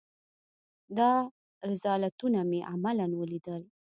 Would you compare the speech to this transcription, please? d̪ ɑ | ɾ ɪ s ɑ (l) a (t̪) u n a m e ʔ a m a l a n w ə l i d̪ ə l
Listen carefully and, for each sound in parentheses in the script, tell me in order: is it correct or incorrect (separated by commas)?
correct, correct